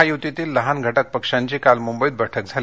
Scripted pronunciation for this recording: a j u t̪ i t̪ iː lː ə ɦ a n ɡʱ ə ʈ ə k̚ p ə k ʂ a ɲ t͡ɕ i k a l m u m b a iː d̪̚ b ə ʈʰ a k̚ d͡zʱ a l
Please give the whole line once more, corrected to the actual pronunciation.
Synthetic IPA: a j u t̪ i t̪ iː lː ə ɦ a n ɡʱ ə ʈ ə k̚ p ə k ʂ a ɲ t͡ɕ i k a l m u m b ə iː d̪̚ b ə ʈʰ ə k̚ d͡zʱ a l

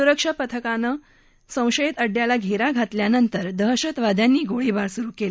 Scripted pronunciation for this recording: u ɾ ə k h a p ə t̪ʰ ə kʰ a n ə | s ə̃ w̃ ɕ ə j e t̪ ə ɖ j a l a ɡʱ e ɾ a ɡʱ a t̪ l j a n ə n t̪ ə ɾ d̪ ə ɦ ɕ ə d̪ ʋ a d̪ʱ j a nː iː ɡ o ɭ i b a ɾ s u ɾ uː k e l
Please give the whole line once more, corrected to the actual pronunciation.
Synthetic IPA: u ɾ ə k ʂ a p ə t̪ʰ ə k a n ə | s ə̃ w̃ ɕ ə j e t̪ ə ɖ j a l a ɡʱ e ɾ a ɡʱ a t̪ l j a n ə n t̪ ə ɾ d̪ ə ɦ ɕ ə t̪ ʋ a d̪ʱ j a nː iː ɡ o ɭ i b a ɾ s u ɾ uː k e l

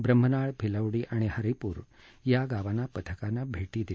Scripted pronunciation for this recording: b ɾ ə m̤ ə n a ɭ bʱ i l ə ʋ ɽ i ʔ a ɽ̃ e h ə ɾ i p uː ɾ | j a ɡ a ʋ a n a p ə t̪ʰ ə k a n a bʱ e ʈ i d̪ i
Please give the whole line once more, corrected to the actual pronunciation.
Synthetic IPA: b ɾ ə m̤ ə n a ɭ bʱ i l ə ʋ ɽ i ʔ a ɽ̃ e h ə ɾ i p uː ɾ | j a ɡ a ʋ a n a p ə t̪ʰ ə k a n a bʱ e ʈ i d̪ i

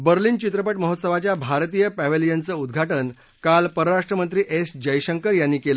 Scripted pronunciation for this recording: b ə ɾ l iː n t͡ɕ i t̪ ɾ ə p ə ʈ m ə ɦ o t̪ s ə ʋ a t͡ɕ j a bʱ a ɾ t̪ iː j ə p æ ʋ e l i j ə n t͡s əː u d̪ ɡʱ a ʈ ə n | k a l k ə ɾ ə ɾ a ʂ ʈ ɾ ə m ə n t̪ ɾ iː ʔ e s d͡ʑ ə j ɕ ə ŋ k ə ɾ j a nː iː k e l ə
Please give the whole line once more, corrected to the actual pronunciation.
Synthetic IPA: b ə ɾ l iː n t͡ɕ i t̪ ɾ ə p ə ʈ m ə ɦ o t̪ s ə ʋ a t͡ɕ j a bʱ a ɾ t̪ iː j ə p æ ʋ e l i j ə n t͡s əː u d̪ ɡʱ a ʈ ə n | k a l p ə ɾ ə ɾ a ʂ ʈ ɾ ə m ə n t̪ ɾ iː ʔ e s d͡ʑ ə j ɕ ə ŋ k ə ɾ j a nː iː k e l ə

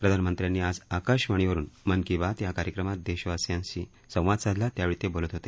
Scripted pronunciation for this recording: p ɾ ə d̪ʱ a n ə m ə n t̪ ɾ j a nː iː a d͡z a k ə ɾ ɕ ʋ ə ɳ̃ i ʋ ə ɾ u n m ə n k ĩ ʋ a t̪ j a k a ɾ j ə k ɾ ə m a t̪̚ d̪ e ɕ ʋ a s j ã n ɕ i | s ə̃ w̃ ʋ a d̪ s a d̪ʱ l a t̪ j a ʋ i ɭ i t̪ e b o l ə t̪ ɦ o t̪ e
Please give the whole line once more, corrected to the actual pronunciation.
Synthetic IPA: p ɾ ə d̪ʱ a n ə m ə n t̪ ɾ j a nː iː a d͡z a k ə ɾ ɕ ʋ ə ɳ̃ i ʋ ə ɾ uː n m ə n k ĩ ʋ a t̪ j a k a ɾ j ə k ɾ ə m a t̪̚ d̪ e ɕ ʋ a s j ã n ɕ i | s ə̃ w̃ ʋ a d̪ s a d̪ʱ l a t̪ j a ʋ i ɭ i t̪ e b o l ə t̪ ɦ o t̪ e

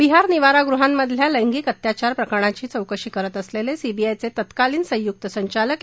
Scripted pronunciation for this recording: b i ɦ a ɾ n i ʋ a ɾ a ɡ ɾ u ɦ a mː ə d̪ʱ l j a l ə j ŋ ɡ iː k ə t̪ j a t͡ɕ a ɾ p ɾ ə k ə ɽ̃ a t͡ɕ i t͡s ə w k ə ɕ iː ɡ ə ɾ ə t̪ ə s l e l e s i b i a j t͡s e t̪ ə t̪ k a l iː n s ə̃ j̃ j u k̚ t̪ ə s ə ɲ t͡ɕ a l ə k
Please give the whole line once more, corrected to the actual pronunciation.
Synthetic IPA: b i ɦ a ɾ n i ʋ a ɾ a ɡ ɾ u ɦ a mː ə d̪ʱ l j a l ə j ŋ ɡ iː k ə t̪ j a t͡ɕ a ɾ p ɾ ə k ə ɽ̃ a t͡ɕ iː t͡s ə w k ə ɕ iː k ə ɾ ə t̪ ə s l e l e s i b i a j t͡s e t̪ ə t̪ k a l iː n s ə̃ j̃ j u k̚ t̪ ə s ə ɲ t͡ɕ a l ə k

